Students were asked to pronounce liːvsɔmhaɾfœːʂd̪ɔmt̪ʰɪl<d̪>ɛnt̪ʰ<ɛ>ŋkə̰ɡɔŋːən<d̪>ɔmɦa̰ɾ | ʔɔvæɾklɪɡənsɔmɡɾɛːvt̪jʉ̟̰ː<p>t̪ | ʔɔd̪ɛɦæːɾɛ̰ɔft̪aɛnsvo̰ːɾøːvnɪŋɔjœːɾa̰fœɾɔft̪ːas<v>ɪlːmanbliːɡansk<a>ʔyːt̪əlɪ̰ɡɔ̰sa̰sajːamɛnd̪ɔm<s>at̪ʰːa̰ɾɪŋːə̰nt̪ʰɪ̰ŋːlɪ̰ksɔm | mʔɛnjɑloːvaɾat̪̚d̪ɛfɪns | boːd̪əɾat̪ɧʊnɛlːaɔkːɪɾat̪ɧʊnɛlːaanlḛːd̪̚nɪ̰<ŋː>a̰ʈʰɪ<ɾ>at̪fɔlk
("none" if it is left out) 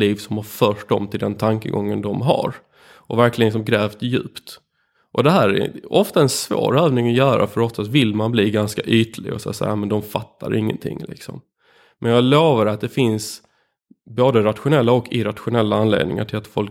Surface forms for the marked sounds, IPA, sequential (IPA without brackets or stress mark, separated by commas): d̪, a, d̪, p, v, a, f, ŋ, l